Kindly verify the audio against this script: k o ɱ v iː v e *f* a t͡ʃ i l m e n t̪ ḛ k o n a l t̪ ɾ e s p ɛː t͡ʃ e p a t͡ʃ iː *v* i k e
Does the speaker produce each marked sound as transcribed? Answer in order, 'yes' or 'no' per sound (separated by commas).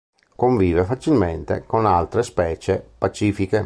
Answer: yes, no